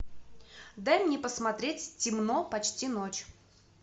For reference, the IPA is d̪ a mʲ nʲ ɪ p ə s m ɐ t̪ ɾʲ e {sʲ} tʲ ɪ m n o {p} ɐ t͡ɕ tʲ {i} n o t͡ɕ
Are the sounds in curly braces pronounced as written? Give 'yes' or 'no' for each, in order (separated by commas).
no, yes, yes